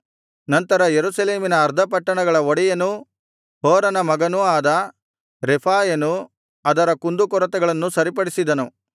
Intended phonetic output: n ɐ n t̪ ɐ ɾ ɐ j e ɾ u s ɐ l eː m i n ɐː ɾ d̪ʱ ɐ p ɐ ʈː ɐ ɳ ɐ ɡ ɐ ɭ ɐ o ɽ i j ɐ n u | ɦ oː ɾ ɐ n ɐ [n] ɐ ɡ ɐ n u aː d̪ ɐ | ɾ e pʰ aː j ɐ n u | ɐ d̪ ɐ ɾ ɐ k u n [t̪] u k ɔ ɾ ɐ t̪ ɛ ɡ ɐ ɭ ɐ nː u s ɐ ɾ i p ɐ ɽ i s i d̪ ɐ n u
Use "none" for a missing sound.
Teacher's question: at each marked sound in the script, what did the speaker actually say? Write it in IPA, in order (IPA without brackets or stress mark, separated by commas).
m, d̪